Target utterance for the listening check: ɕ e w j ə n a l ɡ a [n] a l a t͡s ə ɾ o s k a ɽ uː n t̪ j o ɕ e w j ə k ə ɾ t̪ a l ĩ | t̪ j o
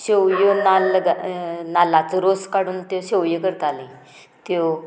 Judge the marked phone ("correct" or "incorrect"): correct